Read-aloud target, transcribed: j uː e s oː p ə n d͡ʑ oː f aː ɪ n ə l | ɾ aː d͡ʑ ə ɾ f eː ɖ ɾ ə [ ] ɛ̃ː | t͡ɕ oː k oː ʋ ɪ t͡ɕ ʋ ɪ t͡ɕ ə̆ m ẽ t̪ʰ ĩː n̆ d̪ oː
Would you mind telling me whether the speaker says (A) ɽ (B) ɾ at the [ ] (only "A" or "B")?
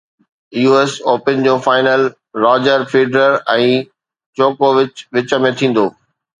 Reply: B